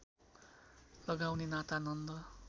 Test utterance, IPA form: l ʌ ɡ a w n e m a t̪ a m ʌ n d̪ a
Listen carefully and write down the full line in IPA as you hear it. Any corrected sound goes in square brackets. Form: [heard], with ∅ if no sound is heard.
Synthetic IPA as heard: l ʌ ɡ a w n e [n] a t̪ a [n] ʌ n d̪ [ʌ]